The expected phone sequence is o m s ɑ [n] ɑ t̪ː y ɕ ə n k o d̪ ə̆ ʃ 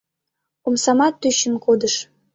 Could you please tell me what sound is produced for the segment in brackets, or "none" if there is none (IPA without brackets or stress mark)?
m